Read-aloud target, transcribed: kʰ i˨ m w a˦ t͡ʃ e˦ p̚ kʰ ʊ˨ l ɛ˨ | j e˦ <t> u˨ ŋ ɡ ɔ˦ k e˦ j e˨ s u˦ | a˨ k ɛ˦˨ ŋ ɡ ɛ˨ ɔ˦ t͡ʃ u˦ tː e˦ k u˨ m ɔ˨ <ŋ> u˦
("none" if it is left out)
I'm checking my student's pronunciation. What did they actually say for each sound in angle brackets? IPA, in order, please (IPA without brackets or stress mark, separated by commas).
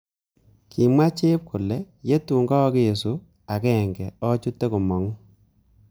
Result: t, ŋ